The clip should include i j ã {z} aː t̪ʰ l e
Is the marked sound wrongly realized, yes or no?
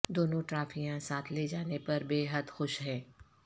yes